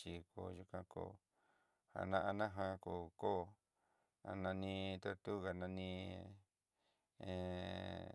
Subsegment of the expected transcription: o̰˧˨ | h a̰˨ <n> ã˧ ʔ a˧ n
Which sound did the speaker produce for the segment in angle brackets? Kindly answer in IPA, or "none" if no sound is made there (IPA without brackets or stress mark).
n